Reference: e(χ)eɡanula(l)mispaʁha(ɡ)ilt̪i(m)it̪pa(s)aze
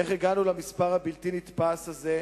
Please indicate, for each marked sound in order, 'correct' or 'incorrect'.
correct, incorrect: none, incorrect: b, incorrect: n, correct

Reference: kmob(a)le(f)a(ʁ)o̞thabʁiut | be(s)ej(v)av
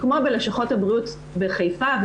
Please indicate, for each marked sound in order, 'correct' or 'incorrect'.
incorrect: e, incorrect: ʃ, incorrect: χ, incorrect: χ, incorrect: f

